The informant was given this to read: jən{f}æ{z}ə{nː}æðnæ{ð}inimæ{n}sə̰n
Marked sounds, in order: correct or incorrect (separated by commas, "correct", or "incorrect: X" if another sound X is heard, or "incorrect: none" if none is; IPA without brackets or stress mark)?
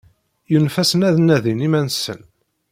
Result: correct, incorrect: s, incorrect: n, correct, correct